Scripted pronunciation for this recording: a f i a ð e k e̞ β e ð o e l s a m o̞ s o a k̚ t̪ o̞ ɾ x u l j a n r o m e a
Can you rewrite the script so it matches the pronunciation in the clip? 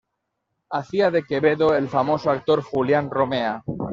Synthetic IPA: a θ i a ð e k e̞ β e ð o e l f a m o̞ s o a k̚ t̪ o̞ ɾ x u l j a n r o m e a